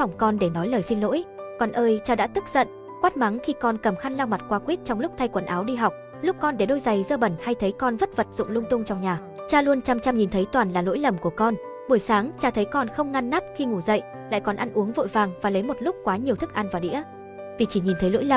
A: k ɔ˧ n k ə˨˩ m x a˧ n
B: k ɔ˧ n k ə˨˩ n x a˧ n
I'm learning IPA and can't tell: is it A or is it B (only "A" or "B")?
A